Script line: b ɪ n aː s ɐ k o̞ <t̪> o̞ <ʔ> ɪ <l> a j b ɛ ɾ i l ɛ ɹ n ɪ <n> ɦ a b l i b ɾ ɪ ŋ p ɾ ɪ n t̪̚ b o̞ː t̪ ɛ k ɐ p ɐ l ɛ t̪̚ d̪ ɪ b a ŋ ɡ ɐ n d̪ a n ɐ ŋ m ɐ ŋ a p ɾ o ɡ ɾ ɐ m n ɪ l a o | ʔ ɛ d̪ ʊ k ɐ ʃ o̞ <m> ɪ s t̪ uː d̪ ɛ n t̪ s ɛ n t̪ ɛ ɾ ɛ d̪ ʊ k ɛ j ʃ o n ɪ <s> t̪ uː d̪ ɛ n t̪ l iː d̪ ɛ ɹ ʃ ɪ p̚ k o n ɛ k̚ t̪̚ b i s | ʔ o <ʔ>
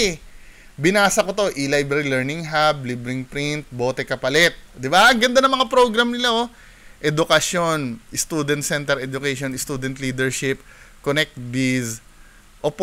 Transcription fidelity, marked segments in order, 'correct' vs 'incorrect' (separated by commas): correct, correct, correct, incorrect, incorrect, correct, incorrect